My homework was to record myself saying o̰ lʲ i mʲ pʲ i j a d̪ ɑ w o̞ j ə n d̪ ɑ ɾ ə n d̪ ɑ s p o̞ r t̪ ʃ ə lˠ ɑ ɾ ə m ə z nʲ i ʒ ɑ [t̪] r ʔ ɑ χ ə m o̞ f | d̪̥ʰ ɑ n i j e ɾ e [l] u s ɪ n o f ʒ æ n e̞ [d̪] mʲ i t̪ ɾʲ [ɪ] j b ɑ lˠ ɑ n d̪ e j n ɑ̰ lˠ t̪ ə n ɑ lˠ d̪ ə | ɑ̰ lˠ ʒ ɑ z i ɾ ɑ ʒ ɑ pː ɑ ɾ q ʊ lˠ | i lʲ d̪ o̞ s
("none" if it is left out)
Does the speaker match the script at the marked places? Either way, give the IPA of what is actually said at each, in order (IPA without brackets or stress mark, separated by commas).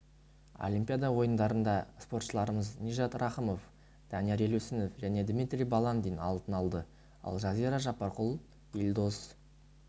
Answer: t̪, l, d̪, i